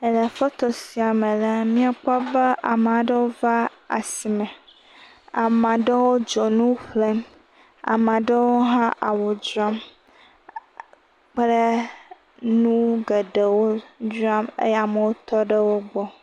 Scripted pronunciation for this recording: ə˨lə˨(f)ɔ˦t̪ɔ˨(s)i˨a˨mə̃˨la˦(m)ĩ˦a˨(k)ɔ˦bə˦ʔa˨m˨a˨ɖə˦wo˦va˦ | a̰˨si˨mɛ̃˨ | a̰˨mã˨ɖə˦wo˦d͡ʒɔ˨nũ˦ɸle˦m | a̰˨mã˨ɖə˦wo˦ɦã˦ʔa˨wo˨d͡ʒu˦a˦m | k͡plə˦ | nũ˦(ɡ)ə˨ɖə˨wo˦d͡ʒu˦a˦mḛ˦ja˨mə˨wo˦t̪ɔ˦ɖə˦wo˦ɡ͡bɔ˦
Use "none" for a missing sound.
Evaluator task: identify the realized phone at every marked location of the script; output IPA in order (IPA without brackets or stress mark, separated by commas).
f, s, m, k͡p, ɡ